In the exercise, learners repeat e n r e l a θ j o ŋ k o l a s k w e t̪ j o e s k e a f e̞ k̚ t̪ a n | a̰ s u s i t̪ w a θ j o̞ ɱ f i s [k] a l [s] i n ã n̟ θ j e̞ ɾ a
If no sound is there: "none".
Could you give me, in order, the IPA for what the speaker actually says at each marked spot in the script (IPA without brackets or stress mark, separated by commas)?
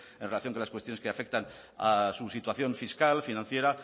k, f